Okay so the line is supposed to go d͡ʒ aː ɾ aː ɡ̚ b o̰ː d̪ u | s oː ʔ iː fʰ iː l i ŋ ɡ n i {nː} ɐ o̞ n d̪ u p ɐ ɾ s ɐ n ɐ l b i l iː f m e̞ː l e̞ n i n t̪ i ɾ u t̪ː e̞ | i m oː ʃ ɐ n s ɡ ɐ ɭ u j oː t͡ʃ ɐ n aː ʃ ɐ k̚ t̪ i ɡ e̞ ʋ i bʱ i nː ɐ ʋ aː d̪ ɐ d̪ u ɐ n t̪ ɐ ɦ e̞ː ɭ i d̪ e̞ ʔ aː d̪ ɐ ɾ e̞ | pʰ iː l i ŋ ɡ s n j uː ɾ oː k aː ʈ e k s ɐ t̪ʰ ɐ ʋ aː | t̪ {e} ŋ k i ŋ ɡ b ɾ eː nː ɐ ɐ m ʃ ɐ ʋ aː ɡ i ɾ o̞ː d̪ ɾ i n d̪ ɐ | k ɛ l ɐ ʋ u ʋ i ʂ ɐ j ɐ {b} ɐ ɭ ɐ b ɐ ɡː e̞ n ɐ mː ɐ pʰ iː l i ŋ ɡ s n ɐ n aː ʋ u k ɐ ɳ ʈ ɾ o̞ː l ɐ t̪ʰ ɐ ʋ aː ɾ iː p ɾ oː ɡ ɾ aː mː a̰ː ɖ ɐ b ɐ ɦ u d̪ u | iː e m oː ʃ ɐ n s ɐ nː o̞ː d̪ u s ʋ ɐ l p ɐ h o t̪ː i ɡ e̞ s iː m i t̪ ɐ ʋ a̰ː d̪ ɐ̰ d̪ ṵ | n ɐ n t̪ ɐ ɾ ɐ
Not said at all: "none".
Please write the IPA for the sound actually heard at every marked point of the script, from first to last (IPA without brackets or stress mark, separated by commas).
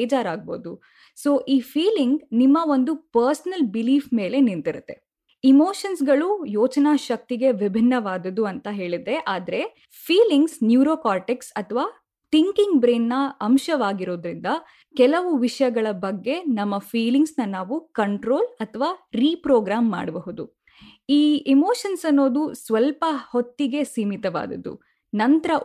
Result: mː, i, ɡ